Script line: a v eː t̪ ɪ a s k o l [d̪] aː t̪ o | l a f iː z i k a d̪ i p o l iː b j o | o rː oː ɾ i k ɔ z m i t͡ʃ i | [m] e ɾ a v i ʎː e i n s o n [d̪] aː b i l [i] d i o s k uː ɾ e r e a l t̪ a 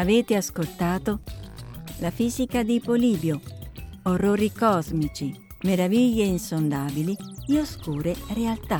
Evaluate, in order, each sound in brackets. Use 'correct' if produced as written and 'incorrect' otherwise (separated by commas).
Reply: incorrect, correct, correct, correct